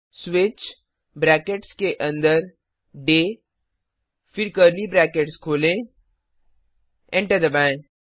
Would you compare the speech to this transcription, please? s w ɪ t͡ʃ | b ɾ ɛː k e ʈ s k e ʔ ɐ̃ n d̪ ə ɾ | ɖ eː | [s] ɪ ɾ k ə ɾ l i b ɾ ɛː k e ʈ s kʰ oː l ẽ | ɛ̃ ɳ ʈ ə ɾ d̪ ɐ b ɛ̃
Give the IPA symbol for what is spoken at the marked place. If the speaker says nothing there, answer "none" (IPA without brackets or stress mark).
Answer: f